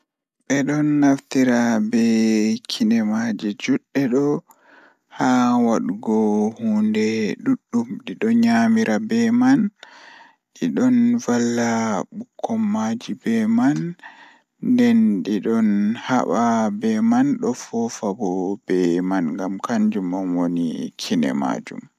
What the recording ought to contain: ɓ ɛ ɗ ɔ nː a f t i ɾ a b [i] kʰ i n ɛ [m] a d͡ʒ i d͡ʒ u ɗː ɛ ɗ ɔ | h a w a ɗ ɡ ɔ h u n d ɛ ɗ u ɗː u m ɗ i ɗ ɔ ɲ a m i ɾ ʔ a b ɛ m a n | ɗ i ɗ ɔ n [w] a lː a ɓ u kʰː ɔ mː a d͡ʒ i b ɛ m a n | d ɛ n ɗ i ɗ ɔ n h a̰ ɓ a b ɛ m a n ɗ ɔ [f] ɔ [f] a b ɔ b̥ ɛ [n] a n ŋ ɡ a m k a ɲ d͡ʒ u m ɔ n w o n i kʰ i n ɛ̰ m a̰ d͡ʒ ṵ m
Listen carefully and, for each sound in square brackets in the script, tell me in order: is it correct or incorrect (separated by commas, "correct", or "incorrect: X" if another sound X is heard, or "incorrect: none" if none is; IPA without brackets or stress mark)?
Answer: incorrect: ɛ, correct, incorrect: v, correct, correct, incorrect: m